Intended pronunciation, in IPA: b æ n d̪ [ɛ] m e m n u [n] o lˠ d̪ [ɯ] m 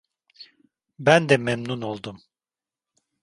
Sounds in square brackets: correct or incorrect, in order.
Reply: correct, correct, incorrect: u

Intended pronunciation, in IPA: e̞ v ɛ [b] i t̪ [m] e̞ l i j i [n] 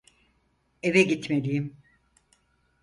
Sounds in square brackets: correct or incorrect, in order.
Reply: incorrect: ɟ, correct, incorrect: m

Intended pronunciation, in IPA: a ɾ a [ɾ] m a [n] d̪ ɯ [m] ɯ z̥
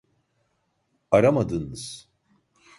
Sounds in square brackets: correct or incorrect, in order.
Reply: incorrect: none, incorrect: none, incorrect: n

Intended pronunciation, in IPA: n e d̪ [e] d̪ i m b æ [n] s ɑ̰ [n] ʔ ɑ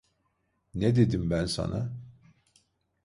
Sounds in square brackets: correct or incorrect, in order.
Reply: correct, correct, correct

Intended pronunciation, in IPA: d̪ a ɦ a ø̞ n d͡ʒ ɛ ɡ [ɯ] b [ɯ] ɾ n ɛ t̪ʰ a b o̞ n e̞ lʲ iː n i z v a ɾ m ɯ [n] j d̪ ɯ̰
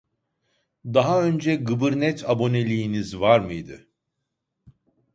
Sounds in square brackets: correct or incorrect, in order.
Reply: correct, correct, incorrect: none

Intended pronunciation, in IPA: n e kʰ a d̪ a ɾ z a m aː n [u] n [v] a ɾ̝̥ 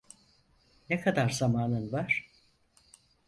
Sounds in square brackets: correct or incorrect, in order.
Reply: incorrect: ɯ, correct

